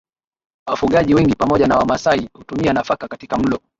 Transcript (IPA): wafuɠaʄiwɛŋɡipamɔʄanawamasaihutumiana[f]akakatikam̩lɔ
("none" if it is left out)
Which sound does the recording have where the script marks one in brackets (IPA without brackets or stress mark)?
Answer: f